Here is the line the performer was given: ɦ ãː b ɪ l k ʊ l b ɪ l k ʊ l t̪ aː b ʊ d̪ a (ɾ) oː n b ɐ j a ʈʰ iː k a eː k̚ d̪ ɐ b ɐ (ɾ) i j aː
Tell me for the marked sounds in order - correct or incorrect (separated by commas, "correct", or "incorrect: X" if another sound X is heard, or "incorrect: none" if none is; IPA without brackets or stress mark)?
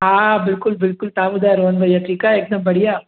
correct, incorrect: ɽ